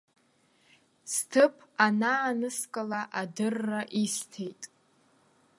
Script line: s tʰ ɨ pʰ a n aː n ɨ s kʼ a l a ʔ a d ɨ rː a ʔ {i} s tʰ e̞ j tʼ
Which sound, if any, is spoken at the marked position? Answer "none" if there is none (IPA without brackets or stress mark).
i